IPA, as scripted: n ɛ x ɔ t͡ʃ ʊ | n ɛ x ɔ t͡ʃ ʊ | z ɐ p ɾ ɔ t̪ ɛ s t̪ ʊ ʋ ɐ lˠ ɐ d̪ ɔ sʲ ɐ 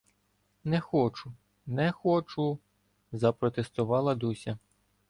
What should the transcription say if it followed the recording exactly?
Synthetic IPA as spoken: n ɛ x ɔ t͡ʃ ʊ | n ɛ x ɔ t͡ʃ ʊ | z ɐ p ɾ ɔ t̪ e s t̪ ʊ ʋ ɑ lˠ ɐ d̪ u sʲ ɐ